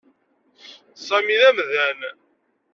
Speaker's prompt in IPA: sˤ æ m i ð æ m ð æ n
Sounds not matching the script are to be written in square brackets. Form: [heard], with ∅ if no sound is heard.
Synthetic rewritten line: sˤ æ m i ð æ m ð æ n